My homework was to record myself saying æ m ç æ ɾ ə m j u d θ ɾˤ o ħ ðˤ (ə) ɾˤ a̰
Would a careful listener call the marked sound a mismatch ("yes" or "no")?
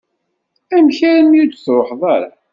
yes